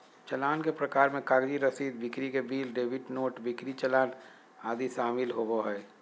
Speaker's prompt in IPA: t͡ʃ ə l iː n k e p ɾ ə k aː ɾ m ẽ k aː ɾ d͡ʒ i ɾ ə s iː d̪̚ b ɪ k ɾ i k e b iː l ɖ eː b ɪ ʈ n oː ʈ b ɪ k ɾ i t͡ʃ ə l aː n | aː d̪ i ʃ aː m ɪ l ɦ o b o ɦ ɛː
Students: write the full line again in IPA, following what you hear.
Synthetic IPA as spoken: t͡ʃ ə l aː n k e p ɾ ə k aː ɾ m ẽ k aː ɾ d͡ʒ i ɾ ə s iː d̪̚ b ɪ k ɾ i k e b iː l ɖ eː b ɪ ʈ n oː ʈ b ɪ k ɾ i t͡ʃ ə l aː n | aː d̪ i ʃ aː m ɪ l ɦ o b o ɦ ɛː